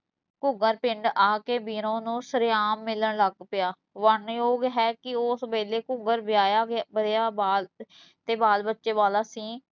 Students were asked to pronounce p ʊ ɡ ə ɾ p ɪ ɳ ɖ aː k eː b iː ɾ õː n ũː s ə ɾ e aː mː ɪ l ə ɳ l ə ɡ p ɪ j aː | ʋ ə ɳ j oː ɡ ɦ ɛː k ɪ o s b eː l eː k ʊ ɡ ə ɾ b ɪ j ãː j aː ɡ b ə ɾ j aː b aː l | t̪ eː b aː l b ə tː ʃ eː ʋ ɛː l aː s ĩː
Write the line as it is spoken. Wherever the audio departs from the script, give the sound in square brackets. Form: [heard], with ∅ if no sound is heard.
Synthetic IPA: [k] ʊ ɡ ə ɾ p ɪ ɳ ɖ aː k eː b iː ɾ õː n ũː s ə ɾ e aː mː ɪ l ə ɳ l ə ɡ p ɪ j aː | ʋ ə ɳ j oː ɡ ɦ ɛː k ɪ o s b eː l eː k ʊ ɡ ə ɾ b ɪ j [aː] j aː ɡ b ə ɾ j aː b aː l | t̪ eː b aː l b ə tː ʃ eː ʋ [aː] l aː s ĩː